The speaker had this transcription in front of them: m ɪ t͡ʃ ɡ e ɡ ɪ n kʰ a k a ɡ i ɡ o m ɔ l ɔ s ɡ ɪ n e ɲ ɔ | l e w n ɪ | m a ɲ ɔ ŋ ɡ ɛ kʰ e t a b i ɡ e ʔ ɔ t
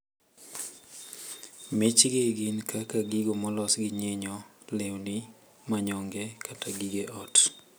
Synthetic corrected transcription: m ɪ t͡ʃ ɡ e ɡ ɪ n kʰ a k a ɡ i ɡ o m ɔ l ɔ s ɡ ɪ ɲ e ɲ ɔ | l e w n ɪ | m a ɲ ɔ ŋ ɡ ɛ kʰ a t a ɡ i ɡ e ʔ ɔ t